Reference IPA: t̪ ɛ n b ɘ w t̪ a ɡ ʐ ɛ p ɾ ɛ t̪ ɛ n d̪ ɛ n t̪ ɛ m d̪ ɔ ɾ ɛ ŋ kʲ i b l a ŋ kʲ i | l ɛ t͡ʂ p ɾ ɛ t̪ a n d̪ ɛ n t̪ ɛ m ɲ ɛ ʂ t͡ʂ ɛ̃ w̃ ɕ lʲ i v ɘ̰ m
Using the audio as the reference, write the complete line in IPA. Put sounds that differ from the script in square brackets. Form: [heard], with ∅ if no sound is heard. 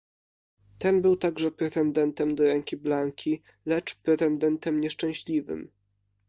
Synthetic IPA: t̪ ɛ n b ɘ w t̪ a ɡ ʐ ɛ p ɾ ɛ t̪ ɛ n d̪ ɛ n t̪ ɛ m d̪ ɔ ɾ ɛ ŋ kʲ i b l a ŋ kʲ i | l ɛ t͡ʂ p ɾ ɛ t̪ [ɛ] n d̪ ɛ n t̪ ɛ m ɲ ɛ ʂ t͡ʂ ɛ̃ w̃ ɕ lʲ i v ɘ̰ m